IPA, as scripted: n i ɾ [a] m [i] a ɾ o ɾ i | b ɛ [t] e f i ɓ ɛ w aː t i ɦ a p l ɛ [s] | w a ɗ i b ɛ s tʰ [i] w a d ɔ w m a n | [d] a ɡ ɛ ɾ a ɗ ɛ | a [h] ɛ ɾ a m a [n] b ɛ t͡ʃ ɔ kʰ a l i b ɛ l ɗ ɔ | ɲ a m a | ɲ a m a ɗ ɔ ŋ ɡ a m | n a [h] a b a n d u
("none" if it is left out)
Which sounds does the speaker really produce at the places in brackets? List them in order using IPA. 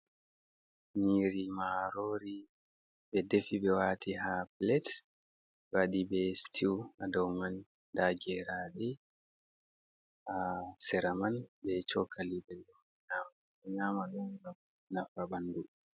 i, a, d, t, i, d, s, n, f

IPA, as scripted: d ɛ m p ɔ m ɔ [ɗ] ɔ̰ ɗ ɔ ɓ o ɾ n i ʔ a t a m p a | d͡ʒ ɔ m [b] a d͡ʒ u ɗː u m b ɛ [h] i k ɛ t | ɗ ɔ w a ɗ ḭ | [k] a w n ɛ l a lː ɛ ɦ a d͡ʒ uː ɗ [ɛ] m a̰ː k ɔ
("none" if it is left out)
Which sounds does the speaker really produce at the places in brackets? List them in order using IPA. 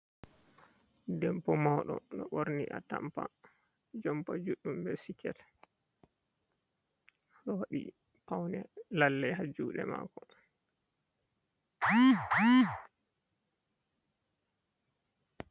ɗ, p, s, p, ɛ

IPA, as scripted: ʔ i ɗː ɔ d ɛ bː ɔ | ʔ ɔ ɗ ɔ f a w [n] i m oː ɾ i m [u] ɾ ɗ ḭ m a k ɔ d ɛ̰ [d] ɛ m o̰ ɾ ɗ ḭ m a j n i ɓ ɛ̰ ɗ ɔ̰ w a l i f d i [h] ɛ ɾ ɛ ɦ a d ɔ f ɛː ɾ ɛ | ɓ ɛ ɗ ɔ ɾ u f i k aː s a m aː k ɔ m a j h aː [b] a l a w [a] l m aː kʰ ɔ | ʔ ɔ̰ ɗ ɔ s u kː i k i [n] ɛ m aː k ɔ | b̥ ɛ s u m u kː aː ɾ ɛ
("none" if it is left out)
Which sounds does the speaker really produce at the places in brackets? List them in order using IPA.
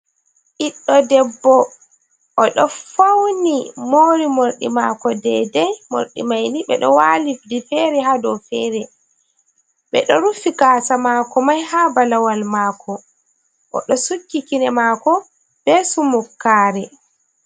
n, o, d, f, b, a, n

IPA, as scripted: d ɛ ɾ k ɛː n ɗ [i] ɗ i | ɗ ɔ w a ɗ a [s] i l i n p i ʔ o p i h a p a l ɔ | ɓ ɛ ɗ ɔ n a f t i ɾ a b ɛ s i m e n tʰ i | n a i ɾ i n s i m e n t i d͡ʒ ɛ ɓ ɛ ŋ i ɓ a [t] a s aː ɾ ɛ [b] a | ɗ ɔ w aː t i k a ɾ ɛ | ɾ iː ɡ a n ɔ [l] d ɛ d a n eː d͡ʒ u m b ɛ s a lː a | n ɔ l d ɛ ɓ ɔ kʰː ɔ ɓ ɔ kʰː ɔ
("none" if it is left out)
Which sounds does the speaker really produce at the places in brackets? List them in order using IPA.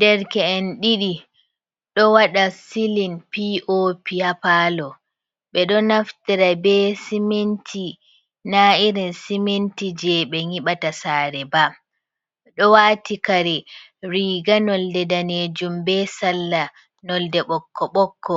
i, s, t, b, l

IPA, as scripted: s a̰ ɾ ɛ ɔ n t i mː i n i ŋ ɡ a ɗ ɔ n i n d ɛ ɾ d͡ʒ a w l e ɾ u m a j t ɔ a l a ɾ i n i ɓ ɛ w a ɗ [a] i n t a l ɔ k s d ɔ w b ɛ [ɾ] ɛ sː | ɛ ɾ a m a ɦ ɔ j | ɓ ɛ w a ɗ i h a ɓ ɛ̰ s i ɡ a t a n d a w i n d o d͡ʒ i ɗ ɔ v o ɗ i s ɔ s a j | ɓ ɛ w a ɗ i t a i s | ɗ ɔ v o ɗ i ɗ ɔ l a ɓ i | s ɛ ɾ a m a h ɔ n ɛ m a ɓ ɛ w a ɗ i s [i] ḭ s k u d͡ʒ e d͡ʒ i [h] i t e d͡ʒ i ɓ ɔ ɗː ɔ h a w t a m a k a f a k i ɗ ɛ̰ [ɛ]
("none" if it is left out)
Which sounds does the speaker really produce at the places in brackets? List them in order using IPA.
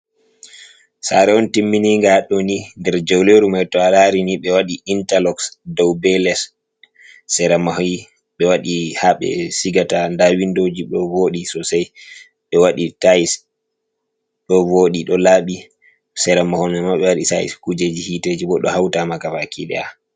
i, l, a, h, a

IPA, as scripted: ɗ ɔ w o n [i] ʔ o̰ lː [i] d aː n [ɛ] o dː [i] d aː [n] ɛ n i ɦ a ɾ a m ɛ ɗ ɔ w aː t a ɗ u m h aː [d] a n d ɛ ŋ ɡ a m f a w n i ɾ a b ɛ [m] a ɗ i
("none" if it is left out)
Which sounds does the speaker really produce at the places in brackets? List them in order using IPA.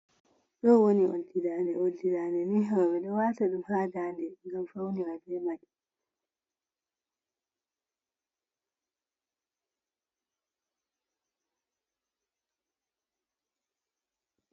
i, i, ɛ, i, n, d, m

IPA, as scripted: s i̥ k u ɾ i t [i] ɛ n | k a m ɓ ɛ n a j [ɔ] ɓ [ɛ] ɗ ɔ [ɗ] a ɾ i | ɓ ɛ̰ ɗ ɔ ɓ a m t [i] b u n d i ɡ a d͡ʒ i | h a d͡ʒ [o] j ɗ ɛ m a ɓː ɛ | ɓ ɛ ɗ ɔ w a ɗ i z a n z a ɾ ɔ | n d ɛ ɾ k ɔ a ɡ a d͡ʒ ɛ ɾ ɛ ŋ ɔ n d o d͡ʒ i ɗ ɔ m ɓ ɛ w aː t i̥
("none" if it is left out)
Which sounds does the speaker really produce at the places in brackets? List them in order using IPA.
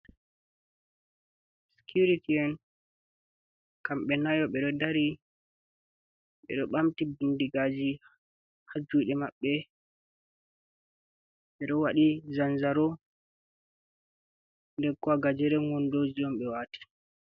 i, ɔ, ɛ, d, i, u

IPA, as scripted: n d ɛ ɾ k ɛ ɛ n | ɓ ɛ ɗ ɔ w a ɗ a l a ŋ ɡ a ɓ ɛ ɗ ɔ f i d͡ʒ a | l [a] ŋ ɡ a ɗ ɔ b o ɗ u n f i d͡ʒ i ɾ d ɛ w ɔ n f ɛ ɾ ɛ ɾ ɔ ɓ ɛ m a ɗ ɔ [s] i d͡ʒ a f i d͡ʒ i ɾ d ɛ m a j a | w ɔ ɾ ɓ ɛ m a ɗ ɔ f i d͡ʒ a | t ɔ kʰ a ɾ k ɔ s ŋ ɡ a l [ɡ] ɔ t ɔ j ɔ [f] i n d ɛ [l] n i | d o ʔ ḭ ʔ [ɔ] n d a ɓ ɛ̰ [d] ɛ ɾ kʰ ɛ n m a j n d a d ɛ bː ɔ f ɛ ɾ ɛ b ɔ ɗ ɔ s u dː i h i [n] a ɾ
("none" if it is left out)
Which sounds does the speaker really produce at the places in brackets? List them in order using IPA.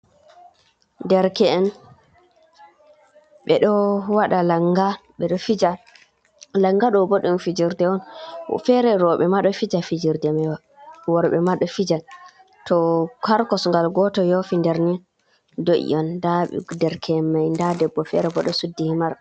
a, f, ɡ, f, ɾ, ɔ, d, m

